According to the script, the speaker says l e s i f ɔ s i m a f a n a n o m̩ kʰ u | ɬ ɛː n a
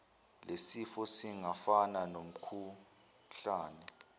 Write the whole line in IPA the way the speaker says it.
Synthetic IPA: l e s i f ɔ s i ŋ a f a n a n o m̩ kʰ u | ɬ aː n ɛ